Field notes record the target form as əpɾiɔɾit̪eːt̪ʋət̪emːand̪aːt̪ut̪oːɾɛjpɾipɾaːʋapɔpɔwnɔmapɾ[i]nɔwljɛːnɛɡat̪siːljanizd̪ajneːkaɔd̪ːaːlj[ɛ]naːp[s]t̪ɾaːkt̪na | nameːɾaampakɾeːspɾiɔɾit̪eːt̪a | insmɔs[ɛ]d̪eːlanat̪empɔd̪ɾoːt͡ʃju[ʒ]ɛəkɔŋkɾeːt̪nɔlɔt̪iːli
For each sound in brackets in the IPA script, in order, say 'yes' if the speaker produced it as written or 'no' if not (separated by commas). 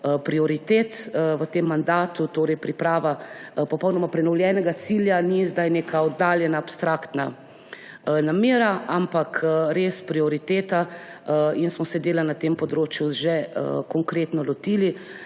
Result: no, yes, yes, yes, yes